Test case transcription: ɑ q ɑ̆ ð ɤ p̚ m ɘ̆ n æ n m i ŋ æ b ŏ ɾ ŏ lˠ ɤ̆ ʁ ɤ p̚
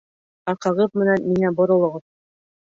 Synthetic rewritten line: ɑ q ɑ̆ ʁ ɤ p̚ m ɘ̆ n æ n m i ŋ æ b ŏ ɾ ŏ lˠ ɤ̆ ʁ ɤ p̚

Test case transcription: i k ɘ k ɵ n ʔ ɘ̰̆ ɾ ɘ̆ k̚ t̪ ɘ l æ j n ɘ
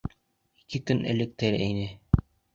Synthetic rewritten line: i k ɘ k ɵ n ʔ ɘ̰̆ l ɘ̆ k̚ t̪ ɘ ɾ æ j n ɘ

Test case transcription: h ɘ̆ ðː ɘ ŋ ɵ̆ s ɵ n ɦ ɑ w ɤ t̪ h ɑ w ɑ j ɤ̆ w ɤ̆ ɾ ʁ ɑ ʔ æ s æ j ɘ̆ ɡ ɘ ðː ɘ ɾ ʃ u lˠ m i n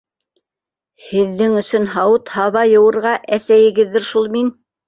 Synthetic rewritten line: h ɘ̆ ðː ɘ ŋ ɵ̆ s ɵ n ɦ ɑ w ɤ t̪ h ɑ β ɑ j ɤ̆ w ɤ̆ ɾ ʁ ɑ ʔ æ s æ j ɘ̆ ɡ ɘ ðː ɘ ɾ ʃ u lˠ m i n

